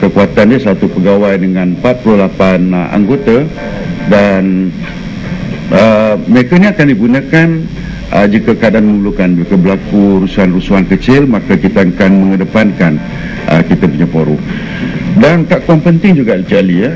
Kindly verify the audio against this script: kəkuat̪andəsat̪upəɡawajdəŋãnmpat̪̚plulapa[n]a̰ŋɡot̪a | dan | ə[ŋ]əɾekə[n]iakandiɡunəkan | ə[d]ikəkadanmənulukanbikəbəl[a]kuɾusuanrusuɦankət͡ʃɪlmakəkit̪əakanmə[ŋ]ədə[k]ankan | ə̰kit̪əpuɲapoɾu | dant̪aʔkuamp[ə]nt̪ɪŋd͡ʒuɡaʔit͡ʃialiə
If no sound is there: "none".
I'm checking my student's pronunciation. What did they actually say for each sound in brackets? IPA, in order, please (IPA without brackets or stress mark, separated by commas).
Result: n, m, n, d͡ʒ, a, ŋ, p, ə